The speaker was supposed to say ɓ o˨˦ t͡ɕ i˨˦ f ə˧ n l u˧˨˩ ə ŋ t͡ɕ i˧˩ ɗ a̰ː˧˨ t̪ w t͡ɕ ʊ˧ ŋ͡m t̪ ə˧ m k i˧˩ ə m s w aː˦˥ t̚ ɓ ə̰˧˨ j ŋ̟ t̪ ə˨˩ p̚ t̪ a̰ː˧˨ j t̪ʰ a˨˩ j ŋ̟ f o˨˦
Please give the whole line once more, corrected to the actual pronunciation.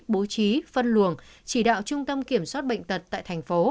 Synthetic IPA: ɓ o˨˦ t͡ɕ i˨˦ f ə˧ n l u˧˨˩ ə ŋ t͡ɕ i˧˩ ɗ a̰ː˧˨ w t͡ɕ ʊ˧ ŋ͡m t̪ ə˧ m k i˧˩ ə m s w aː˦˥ t̚ ɓ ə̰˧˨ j ŋ̟ t̪ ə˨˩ t̚ t̪ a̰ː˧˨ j t̪ʰ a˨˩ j ŋ̟ f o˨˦